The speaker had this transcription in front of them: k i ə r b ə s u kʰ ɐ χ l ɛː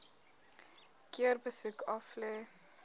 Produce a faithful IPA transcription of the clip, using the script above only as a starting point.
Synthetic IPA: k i ə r b ə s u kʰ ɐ f l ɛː